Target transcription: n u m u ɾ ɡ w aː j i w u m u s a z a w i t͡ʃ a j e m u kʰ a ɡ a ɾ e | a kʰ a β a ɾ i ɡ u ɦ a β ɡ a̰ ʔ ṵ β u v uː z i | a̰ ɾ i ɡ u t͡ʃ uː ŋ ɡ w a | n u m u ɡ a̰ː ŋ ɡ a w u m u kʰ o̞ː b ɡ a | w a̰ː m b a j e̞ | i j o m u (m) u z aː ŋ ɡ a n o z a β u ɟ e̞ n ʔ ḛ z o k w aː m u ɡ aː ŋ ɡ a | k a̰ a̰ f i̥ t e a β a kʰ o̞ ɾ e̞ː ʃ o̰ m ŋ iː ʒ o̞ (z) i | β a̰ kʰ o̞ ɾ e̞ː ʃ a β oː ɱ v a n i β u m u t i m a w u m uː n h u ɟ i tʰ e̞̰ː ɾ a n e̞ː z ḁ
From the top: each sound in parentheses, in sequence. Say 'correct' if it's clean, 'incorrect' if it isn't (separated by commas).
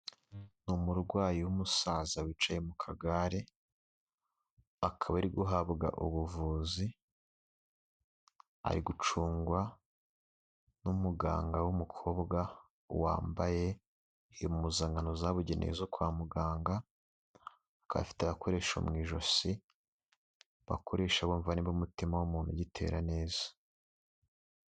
correct, incorrect